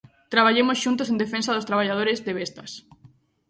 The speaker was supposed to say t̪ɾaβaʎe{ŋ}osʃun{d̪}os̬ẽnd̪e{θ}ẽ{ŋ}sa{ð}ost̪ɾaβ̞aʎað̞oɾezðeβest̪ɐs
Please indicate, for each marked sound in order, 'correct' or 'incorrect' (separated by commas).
incorrect, incorrect, incorrect, incorrect, correct